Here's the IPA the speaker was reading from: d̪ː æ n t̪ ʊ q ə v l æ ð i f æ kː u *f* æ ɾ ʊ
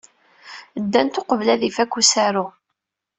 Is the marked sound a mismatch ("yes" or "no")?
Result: yes